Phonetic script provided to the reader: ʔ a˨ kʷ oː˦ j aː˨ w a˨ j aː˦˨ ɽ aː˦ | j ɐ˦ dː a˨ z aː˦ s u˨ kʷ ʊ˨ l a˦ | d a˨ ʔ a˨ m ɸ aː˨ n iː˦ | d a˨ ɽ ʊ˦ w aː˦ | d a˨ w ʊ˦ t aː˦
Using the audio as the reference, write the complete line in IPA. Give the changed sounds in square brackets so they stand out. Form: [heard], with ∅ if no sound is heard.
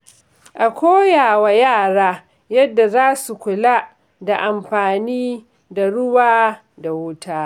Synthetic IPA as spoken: ʔ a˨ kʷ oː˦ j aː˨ w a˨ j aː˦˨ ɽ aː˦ | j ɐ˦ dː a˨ z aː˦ s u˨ kʷ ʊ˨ l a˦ | d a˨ ʔ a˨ m ɸ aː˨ n iː˦ | d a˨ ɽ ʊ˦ w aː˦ | d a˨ w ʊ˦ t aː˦